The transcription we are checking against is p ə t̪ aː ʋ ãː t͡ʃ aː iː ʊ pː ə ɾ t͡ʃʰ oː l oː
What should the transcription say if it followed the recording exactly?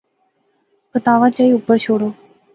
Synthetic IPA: k ə t̪ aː ʋ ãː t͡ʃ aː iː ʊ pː ə ɾ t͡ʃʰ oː ɽ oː